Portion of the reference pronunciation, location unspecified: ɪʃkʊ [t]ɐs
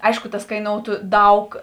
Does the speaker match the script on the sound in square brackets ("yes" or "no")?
yes